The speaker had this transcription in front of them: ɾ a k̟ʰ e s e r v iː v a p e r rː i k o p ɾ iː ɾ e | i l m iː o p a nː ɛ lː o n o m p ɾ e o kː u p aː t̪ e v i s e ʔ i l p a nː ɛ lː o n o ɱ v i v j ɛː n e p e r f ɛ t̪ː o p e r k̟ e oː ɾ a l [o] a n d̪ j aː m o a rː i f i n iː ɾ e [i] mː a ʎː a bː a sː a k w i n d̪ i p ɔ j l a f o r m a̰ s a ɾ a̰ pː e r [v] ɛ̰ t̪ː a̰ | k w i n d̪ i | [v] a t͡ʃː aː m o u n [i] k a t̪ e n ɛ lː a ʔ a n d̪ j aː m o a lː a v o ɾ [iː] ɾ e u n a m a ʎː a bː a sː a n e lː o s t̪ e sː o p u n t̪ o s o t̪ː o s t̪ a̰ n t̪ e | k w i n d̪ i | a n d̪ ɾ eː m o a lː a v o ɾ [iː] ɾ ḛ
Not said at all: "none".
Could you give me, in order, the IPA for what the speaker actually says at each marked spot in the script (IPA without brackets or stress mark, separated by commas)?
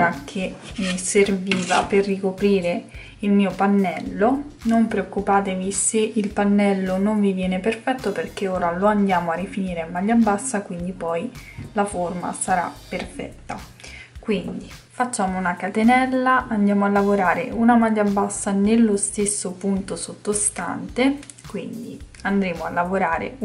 o, a, f, f, a, aː, aː